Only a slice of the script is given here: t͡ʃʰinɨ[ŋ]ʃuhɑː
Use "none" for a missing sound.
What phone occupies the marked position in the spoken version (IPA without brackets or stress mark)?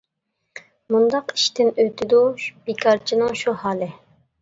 ŋ